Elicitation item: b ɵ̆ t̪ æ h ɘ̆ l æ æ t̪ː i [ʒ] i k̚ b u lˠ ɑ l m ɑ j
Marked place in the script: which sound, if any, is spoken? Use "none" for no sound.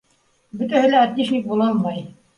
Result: ʃ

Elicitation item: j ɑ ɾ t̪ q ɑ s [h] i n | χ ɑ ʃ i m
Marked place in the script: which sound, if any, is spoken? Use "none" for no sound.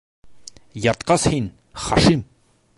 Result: h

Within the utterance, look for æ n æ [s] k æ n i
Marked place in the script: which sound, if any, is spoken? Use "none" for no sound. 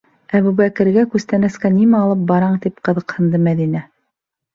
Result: s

